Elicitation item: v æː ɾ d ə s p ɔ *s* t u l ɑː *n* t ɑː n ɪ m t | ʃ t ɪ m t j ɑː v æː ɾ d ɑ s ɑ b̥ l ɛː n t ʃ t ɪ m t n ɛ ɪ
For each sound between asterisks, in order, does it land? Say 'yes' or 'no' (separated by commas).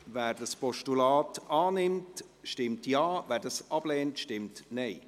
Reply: no, no